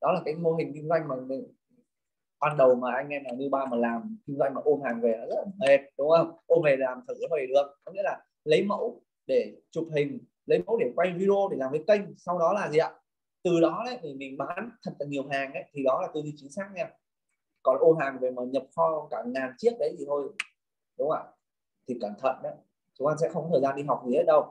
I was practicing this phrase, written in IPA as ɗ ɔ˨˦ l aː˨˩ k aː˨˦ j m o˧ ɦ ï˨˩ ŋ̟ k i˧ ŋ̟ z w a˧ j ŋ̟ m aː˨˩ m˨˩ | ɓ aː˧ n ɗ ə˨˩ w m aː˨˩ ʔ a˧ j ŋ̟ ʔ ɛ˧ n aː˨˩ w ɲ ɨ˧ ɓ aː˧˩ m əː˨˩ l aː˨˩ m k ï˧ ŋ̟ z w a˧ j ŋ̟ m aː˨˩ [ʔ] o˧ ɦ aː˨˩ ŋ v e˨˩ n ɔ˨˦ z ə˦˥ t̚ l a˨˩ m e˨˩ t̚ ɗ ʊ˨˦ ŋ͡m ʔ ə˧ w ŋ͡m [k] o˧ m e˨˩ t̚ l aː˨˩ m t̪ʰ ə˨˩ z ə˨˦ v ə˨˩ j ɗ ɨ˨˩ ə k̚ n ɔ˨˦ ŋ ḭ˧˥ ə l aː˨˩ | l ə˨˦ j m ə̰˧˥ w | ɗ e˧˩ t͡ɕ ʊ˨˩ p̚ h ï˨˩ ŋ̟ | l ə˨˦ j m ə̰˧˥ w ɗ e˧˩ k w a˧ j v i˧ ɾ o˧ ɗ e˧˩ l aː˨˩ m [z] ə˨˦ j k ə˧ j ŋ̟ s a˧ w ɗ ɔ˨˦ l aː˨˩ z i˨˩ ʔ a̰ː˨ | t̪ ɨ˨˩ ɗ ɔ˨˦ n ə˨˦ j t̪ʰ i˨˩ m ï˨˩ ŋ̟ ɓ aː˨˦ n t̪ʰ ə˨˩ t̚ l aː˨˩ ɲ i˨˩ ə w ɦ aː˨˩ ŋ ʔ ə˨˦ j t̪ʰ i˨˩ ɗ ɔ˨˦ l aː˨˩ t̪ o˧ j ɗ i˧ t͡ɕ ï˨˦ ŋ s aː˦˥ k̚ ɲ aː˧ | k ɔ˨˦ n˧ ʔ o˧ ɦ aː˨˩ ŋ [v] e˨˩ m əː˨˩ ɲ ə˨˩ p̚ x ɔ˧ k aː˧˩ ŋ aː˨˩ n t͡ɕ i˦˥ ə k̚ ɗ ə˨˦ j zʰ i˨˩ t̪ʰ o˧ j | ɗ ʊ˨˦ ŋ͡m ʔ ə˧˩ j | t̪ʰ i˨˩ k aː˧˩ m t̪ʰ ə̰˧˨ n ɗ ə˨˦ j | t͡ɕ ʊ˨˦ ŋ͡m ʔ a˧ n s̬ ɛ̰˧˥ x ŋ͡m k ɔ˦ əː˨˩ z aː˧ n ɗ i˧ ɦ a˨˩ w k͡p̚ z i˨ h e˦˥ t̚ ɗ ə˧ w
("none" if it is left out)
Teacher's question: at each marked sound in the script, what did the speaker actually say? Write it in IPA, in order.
ʔ, ʔ, v, v

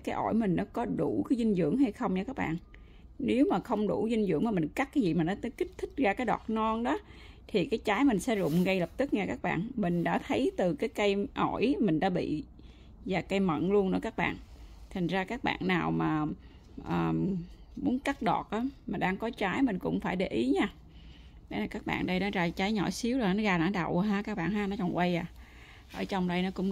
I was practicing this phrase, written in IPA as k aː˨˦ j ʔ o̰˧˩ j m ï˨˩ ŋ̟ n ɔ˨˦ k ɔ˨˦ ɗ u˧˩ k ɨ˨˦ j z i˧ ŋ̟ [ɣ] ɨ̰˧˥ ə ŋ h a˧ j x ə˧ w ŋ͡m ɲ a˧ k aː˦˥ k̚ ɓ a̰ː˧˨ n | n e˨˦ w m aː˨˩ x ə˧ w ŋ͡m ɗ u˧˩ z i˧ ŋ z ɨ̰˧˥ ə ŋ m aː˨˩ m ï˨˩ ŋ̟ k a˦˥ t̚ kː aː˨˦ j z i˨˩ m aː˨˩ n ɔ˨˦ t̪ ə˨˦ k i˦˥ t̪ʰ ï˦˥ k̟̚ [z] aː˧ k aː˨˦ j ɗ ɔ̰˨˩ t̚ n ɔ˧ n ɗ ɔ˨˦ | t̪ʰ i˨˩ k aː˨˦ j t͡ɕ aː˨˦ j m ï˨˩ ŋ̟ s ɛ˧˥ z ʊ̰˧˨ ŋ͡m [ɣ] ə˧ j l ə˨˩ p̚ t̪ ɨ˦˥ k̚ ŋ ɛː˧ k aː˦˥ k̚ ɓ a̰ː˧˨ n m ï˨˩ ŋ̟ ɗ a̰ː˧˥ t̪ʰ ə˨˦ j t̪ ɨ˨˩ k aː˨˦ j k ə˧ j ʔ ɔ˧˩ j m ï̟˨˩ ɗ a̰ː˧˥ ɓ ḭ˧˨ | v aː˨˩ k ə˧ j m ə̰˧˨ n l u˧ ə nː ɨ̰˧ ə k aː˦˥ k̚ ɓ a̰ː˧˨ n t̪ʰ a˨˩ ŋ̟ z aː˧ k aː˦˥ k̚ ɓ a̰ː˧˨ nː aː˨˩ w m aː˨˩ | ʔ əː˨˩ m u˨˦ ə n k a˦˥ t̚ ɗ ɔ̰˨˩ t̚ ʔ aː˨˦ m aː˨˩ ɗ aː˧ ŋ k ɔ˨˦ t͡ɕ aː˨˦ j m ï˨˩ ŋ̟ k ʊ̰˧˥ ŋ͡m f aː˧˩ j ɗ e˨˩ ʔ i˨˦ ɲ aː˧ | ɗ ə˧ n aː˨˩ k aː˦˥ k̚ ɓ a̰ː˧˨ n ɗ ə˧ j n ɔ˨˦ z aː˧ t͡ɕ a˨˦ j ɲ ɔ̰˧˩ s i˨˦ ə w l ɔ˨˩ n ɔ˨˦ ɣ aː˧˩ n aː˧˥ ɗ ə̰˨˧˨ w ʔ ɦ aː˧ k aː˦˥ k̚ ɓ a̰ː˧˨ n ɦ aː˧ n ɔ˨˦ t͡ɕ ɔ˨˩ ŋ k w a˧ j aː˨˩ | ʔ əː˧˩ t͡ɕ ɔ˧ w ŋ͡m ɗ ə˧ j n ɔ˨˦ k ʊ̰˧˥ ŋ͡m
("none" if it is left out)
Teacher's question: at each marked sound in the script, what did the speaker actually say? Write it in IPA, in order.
z, z, ɣ

